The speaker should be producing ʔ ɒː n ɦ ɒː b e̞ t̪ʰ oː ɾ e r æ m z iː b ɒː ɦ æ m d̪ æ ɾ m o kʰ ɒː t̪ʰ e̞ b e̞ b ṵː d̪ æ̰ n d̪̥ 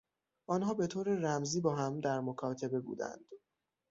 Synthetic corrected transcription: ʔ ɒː n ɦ ɒː b e̞ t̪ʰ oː ɾ e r æ m z iː b ɒː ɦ æ m d̪ æ ɾ m o kʰ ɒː t̪ʰ e̞ b e̞ b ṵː d̪ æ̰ n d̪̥